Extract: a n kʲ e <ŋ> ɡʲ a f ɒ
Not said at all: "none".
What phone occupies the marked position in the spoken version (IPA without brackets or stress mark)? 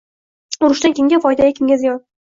ŋ